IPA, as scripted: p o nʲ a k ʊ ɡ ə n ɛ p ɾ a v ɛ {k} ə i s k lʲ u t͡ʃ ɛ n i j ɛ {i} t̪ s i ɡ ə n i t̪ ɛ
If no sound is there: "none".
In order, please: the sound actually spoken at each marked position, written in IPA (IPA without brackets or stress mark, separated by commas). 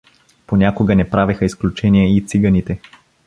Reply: x, i